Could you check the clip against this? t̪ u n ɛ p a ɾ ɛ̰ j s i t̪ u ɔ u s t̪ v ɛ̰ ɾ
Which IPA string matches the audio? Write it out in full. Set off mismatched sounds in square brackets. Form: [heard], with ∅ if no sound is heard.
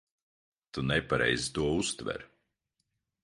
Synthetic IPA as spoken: t̪ u n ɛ p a ɾ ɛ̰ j [z] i t̪ u ɔ u s t̪ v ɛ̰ ɾ